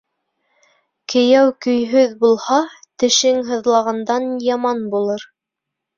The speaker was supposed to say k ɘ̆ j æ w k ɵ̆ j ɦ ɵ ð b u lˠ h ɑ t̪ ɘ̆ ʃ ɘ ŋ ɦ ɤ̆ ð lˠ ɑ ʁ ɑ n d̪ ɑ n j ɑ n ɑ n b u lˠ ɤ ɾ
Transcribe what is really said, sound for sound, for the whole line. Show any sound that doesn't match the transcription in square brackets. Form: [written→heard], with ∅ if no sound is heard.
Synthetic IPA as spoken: k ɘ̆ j æ w k ɵ̆ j ɦ ɵ ð b u lˠ h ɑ t̪ ɘ̆ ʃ ɘ ŋ ɦ ɤ̆ ð lˠ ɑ ʁ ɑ n d̪ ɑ n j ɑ [n→m] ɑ n b u lˠ ɤ ɾ